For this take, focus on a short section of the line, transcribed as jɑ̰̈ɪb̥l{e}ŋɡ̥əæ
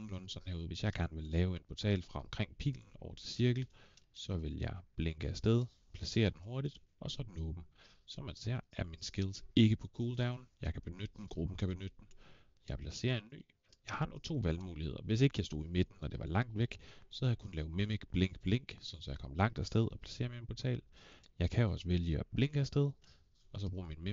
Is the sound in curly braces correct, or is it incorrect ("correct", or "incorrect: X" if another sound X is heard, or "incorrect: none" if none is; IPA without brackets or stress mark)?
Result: correct